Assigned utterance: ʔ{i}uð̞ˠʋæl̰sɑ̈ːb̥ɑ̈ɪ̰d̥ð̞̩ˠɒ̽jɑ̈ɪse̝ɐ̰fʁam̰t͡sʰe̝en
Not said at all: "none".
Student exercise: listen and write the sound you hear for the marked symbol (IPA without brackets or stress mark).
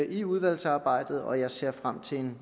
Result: i